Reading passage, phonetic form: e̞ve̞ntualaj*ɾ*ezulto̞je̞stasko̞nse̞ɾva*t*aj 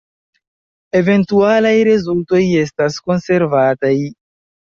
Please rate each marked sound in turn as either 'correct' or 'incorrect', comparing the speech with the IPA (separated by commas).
correct, correct